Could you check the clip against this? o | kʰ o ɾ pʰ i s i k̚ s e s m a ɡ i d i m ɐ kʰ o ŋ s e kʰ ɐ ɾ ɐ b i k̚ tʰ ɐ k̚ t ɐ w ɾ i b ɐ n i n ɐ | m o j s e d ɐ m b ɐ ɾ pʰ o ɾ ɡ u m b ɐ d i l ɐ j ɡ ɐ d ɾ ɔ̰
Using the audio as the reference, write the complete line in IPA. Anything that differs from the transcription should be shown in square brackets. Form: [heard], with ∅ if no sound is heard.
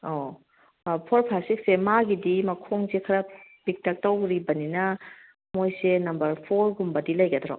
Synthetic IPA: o | [pʰ] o ɾ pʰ [a] s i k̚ s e [∅] m a ɡ i d i m ɐ kʰ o ŋ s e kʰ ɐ ɾ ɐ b i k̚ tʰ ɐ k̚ t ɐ w ɾ i b ɐ n i n ɐ | m o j s e [n] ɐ m b ɐ ɾ pʰ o ɾ ɡ u m b ɐ d i l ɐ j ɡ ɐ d ɾ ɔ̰